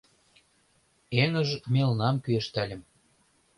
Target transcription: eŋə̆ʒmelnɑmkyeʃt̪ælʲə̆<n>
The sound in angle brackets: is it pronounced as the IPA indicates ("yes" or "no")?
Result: no